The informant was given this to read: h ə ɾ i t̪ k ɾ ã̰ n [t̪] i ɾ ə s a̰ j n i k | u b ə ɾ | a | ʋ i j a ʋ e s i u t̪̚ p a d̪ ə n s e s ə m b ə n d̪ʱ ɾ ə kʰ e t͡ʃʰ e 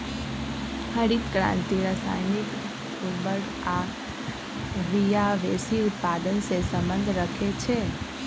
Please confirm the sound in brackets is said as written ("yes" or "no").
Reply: yes